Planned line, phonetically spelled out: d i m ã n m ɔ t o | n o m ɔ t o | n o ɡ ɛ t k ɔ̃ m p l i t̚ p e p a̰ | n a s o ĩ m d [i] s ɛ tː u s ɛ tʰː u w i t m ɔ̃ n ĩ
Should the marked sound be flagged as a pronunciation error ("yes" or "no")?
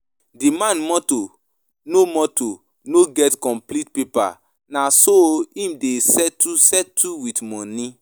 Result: yes